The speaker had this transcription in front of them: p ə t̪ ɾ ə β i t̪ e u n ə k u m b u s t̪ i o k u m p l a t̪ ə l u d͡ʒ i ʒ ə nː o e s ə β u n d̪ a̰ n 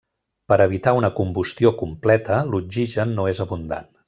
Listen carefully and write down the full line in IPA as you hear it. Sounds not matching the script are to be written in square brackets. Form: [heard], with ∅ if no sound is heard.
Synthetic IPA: p ə [∅] ɾ ə β i t̪ [a] u n ə k u m b u s t̪ i o k u m p l [ɛ] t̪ ə l u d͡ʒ i ʒ ə nː o e [z] ə β u n d̪ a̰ n